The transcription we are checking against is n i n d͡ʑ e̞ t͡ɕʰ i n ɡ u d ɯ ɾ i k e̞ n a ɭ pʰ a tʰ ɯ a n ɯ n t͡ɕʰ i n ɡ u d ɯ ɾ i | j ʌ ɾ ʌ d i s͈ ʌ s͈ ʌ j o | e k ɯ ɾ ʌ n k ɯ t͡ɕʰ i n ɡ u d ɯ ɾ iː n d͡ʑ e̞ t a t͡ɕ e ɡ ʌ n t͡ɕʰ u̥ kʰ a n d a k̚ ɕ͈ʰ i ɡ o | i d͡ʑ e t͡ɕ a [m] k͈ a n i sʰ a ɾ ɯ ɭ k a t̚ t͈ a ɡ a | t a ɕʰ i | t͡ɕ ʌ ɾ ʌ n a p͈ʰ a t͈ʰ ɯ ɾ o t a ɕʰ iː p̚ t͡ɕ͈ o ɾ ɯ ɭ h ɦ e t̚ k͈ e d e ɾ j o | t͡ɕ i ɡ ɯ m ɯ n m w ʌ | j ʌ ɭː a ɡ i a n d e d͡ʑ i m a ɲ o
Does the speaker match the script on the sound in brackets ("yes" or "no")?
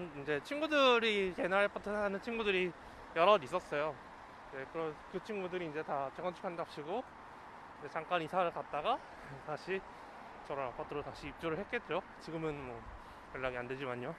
no